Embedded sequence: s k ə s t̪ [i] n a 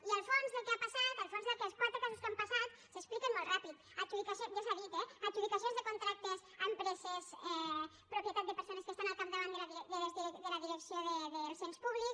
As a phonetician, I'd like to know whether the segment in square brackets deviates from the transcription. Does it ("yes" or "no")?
yes